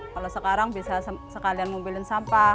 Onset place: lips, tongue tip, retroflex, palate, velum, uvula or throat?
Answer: velum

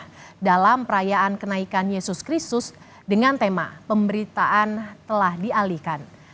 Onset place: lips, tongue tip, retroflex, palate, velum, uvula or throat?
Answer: tongue tip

